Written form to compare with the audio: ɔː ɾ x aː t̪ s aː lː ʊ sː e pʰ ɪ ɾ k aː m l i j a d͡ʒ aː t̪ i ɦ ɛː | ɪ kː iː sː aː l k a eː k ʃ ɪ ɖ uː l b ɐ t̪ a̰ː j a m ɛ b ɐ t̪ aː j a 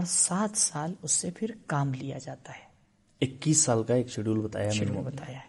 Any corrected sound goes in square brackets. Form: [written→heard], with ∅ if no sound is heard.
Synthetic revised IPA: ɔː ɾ [x→s] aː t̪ s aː [lː→l] ʊ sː e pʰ ɪ ɾ k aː m l i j a d͡ʒ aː t̪ [i→a] ɦ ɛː | ɪ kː iː sː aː l k a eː k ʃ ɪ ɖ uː l b ɐ t̪ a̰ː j a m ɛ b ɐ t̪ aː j a